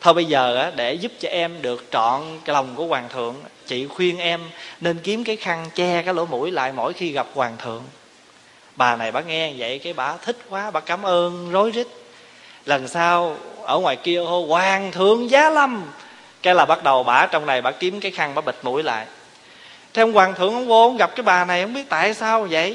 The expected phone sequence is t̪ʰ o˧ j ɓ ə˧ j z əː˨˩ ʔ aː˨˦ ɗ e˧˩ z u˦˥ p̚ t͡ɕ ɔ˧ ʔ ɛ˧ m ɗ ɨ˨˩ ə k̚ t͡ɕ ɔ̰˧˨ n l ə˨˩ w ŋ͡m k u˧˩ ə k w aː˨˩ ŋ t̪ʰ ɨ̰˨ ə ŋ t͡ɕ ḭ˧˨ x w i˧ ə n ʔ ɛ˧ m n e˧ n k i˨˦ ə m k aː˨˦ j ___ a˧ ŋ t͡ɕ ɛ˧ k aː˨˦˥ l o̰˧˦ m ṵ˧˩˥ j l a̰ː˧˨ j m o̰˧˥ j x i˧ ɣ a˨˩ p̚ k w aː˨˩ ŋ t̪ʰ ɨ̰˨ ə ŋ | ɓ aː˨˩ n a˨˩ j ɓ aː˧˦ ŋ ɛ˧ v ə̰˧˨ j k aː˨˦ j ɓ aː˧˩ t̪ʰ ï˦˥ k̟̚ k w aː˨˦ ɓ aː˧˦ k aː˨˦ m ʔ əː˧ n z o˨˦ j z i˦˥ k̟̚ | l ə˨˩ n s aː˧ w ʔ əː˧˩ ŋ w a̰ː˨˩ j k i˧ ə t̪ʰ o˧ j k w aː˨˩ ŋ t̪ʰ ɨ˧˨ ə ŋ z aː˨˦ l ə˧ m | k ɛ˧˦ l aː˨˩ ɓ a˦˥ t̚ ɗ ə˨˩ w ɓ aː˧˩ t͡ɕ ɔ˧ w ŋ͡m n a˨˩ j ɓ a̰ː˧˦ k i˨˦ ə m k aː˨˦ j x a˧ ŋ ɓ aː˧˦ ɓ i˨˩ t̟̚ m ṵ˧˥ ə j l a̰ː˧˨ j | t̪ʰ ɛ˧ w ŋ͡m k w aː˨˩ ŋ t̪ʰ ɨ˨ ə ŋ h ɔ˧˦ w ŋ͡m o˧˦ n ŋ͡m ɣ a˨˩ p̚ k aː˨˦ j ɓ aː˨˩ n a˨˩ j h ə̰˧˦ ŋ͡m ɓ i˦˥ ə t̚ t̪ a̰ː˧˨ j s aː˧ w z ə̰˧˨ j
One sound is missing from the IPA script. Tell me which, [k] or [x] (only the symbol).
x